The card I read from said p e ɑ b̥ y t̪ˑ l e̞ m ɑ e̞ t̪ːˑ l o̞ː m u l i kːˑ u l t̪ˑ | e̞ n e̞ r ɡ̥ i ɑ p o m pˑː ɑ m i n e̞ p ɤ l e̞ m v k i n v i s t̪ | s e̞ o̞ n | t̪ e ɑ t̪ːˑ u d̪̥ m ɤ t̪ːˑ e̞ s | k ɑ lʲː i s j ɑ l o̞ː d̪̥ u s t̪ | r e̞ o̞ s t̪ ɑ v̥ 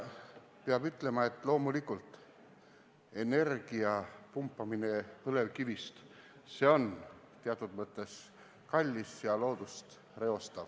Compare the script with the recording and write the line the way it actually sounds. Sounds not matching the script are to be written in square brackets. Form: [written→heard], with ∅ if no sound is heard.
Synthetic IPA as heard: p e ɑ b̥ y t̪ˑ l e̞ m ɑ e̞ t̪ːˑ l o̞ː m u l i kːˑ u l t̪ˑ | e̞ n e̞ r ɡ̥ i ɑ p [o→u] m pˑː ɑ m i n e̞ p ɤ l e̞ [m→∅] v k i [n→∅] v i s t̪ | s e̞ o̞ n | t̪ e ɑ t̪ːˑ u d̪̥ m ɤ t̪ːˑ e̞ s | k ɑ lʲː i s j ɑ l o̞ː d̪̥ u s t̪ | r e̞ o̞ s t̪ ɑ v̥